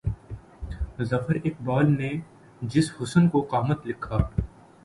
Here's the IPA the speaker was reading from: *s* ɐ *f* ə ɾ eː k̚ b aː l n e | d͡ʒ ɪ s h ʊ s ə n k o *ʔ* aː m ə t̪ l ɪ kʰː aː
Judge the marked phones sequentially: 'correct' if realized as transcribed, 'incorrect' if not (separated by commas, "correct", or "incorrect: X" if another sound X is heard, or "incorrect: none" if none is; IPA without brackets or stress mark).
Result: incorrect: z, correct, incorrect: q